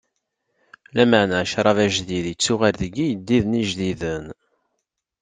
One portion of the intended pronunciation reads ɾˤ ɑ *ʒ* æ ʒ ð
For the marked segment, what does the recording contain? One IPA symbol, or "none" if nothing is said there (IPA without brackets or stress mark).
v